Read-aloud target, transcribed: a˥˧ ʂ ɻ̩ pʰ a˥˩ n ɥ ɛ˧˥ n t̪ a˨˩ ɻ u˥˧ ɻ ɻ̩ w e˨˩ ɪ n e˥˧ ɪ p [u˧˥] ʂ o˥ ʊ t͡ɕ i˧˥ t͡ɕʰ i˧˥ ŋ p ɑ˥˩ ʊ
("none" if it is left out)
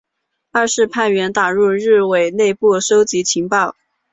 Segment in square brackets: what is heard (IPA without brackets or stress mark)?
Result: u˥˩